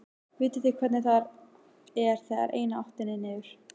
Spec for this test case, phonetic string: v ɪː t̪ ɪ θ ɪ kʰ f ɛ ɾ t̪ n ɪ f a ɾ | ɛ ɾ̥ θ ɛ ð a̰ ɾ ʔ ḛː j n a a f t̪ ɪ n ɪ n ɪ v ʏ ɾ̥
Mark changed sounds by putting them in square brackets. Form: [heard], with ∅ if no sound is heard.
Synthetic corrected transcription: v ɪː t̪ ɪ θ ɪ kʰ [v] ɛ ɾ t̪ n ɪ [θ] a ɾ | ɛ ɾ̥ θ ɛ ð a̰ ɾ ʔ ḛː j n a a [h] t̪ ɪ n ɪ n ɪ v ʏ ɾ̥

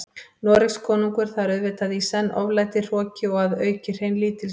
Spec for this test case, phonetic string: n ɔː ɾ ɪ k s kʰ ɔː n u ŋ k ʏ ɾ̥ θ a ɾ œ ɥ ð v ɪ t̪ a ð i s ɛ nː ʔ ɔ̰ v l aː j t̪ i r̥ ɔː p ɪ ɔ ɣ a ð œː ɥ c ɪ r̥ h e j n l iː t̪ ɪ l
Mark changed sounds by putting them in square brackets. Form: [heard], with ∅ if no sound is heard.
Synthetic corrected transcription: n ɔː ɾ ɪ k s kʰ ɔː n u ŋ k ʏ ɾ̥ θ a ɾ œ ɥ ð v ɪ t̪ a ð i s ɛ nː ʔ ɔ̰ v l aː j t̪ [ɪ] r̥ ɔː [c] ɪ ɔ ɣ a ð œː ɥ c ɪ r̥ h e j n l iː t̪ ɪ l

